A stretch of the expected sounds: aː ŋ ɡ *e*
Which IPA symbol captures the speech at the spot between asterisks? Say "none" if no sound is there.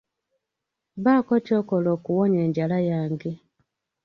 e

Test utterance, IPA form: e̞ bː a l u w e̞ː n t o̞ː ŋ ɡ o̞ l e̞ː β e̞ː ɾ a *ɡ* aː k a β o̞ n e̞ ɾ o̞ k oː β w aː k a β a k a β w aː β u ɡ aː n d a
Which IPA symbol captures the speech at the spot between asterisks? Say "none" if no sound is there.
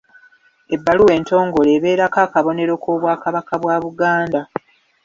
k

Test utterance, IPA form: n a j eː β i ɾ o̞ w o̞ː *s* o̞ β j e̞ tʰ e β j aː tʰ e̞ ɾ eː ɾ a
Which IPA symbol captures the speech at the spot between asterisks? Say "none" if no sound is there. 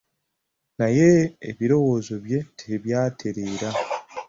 z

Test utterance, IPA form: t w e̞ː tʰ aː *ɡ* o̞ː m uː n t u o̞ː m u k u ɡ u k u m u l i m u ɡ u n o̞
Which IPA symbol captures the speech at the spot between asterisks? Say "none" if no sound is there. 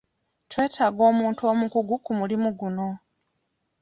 ɡ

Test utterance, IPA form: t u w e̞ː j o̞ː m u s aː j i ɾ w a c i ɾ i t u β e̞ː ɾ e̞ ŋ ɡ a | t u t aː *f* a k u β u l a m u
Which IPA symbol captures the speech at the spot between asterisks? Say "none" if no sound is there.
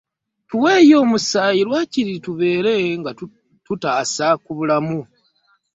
s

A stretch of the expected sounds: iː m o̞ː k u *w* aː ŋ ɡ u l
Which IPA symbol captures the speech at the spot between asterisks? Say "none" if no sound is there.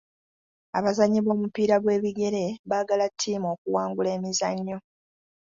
w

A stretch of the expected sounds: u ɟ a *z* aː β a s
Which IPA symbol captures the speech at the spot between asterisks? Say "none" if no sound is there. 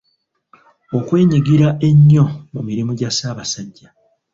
s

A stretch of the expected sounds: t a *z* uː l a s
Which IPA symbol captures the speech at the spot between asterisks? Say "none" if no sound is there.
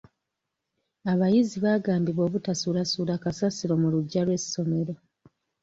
s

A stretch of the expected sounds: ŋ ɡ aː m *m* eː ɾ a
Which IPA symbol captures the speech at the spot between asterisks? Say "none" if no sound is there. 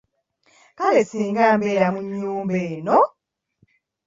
b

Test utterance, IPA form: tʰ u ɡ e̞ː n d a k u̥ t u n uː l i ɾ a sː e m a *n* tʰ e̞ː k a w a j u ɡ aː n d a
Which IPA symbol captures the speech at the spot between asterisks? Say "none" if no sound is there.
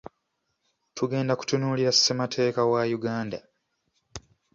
none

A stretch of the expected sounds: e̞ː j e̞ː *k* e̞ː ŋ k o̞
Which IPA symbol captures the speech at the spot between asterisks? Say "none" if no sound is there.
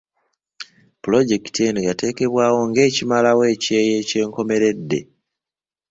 c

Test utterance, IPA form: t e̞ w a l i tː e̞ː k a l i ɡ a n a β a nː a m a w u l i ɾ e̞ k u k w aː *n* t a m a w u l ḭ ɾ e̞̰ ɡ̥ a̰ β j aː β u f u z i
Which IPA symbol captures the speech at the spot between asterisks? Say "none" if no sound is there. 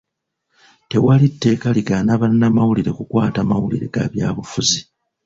none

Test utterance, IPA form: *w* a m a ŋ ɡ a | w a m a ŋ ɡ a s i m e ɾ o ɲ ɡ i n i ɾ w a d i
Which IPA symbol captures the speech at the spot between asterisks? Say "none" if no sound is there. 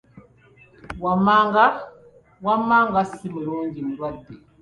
w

